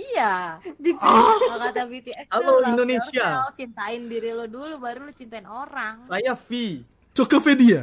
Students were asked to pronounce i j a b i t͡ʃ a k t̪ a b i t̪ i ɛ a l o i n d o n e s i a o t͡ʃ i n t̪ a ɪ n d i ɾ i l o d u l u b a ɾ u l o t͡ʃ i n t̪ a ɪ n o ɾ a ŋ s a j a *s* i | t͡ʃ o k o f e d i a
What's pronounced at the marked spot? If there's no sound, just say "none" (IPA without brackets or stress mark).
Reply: f